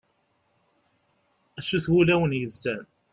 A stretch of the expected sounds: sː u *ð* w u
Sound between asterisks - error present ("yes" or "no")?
yes